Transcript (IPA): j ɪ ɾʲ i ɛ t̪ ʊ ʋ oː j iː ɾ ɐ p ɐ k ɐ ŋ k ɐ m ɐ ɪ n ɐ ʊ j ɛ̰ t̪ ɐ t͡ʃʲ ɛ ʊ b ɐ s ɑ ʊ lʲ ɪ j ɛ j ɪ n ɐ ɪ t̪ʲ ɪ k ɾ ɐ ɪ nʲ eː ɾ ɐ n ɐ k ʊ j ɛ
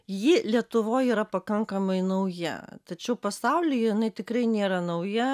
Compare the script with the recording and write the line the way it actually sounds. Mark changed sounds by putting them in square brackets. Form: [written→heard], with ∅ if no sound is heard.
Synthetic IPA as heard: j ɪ [ɾʲ→lʲ] i ɛ t̪ ʊ ʋ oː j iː ɾ ɐ p ɐ k ɐ ŋ k ɐ m ɐ ɪ n ɐ ʊ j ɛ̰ t̪ ɐ t͡ʃʲ ɛ ʊ [b→p] ɐ s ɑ ʊ lʲ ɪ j ɛ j ɪ n ɐ ɪ t̪ʲ ɪ k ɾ ɐ ɪ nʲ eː ɾ ɐ n ɐ [k→∅] ʊ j ɛ